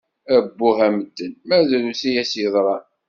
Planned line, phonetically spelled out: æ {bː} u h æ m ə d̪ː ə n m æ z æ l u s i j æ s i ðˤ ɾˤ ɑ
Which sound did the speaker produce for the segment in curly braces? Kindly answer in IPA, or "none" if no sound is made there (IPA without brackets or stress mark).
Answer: bː